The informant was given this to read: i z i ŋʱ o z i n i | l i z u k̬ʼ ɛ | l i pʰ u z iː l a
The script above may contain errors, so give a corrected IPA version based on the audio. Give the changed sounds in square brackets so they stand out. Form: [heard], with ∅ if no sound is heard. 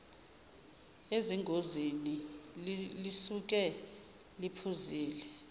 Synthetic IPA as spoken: [e] z i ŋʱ o z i n i | l i [s] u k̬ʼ ɛ | l i pʰ u z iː l [ɛ]